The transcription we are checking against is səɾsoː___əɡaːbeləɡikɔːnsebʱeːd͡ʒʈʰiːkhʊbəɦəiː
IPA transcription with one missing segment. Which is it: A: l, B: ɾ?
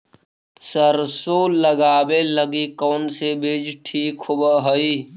A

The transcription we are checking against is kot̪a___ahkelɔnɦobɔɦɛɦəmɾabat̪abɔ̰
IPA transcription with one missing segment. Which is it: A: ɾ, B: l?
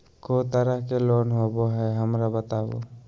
A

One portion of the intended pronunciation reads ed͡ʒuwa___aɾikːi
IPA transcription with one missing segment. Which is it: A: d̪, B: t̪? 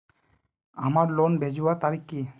B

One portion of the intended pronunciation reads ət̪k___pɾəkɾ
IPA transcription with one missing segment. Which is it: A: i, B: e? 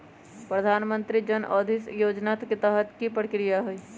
A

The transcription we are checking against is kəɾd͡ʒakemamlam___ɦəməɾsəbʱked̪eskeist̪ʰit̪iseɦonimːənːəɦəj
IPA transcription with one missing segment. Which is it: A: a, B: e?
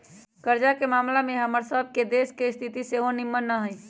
B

